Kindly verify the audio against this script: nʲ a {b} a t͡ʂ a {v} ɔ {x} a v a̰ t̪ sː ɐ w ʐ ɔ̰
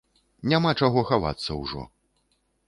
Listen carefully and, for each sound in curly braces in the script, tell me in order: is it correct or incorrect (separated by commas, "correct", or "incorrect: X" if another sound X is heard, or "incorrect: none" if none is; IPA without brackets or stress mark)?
incorrect: m, incorrect: ɣ, correct